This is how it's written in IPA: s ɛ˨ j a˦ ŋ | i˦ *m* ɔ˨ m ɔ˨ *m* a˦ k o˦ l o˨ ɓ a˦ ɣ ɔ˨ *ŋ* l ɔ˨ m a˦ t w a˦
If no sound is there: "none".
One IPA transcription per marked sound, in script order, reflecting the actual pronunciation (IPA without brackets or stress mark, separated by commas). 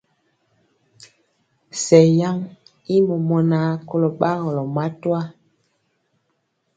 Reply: m, n, none